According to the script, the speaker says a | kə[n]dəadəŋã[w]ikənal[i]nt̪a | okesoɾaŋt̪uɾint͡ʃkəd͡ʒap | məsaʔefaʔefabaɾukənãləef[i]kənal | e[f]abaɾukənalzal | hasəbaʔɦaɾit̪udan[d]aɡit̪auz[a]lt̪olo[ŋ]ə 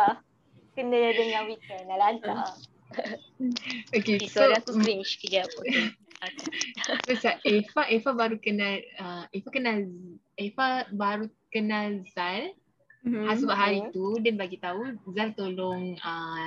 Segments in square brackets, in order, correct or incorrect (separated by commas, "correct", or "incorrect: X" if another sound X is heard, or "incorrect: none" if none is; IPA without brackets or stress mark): correct, correct, incorrect: a, incorrect: a, correct, incorrect: b, correct, correct